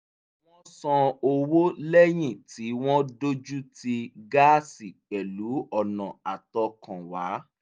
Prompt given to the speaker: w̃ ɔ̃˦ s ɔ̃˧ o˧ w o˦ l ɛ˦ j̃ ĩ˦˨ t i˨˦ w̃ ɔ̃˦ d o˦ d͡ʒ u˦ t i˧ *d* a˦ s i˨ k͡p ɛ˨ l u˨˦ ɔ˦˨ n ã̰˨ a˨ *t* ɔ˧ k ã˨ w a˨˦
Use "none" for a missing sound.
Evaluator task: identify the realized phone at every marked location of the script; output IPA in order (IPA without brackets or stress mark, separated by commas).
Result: ɡ, t